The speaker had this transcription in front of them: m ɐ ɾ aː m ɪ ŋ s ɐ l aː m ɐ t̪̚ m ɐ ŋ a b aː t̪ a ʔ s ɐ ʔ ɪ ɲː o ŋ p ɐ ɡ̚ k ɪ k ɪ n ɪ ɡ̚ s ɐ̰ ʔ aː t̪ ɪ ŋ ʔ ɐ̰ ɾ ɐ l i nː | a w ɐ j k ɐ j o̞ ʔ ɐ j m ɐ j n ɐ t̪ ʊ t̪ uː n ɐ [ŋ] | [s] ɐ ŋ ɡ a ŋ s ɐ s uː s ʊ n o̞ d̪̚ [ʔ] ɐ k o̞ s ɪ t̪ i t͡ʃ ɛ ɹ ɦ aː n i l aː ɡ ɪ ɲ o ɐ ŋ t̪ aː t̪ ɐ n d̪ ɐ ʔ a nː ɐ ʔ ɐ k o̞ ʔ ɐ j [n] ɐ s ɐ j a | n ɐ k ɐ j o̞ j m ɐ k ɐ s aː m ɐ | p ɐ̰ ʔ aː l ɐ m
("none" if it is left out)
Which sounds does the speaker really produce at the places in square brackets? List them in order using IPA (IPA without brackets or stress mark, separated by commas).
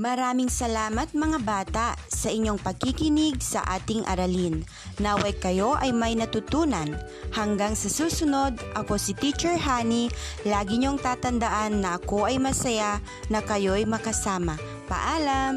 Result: n, h, ʔ, m